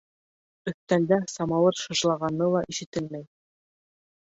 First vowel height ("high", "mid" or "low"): mid